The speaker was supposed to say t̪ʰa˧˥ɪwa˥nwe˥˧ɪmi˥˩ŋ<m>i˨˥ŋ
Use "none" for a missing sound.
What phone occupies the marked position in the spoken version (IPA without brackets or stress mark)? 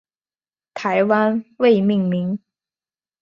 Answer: m